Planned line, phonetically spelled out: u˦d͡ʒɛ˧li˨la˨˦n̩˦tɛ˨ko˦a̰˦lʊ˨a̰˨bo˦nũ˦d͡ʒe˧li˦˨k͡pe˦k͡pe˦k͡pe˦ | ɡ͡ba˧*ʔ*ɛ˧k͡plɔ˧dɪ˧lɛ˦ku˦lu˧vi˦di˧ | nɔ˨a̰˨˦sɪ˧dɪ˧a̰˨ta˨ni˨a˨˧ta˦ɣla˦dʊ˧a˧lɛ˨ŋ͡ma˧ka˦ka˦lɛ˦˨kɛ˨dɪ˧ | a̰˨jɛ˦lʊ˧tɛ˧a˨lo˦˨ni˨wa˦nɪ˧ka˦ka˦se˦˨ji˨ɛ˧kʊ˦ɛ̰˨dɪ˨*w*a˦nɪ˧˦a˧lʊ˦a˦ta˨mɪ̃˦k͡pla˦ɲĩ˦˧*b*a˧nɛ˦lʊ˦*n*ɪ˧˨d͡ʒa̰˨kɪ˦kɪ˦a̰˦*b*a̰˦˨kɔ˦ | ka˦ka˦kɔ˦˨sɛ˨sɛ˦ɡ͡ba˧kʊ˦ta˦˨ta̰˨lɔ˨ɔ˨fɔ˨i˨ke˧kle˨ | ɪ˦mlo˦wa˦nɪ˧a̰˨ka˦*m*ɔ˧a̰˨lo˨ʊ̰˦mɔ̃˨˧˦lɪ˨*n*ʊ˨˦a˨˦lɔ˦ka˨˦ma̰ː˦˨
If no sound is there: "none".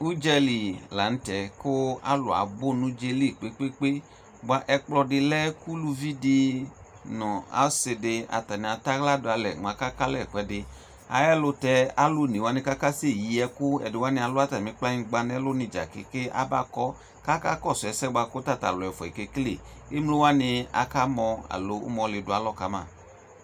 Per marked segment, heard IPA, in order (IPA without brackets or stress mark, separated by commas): ʔ, w, ɡ͡b, n, b, m, d